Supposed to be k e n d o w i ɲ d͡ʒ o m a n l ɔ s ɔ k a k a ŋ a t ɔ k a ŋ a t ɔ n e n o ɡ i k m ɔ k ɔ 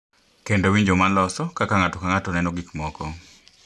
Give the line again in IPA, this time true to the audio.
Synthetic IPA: k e n d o w i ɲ d͡ʒ o m a n l ɔ s ɔ k a k a ŋ a t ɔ k a ŋ a t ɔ n ɛ n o ɡ i k m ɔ k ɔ